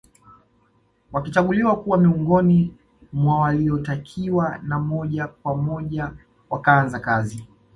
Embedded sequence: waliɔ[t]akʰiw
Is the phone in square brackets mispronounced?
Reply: no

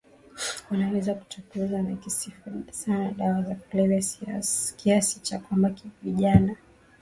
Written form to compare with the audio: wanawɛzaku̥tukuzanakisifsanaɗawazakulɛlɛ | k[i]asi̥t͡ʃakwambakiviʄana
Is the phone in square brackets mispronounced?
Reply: no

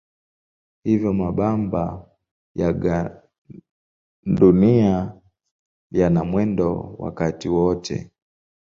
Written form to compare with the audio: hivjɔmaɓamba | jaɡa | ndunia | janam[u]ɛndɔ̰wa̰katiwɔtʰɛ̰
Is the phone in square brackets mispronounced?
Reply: yes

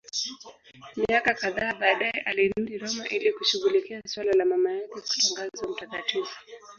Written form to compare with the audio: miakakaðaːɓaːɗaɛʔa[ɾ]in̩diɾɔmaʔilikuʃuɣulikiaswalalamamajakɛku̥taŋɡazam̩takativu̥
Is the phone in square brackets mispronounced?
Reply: yes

